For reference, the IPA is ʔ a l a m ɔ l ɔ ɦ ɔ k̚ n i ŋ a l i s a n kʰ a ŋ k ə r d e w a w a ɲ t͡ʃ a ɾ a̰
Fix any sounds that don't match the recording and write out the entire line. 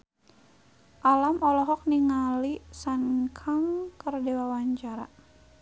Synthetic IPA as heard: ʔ a l a m ɔ l ɔ ɦ ɔ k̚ n i ŋ a l i s a n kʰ a ŋ k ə r d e w a w a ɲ t͡ʃ a ɾ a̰